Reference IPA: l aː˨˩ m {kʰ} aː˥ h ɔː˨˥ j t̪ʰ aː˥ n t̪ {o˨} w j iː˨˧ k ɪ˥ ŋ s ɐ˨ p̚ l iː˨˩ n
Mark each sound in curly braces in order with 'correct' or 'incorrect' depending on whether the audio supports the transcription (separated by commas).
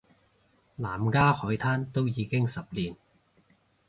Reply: incorrect, incorrect